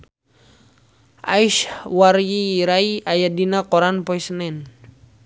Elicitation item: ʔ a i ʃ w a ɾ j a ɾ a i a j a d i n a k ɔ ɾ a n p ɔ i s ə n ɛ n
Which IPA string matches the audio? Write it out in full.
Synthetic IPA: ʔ a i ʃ w a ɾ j i ɾ a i a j a d i n a k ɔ ɾ a n p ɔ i s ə n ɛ n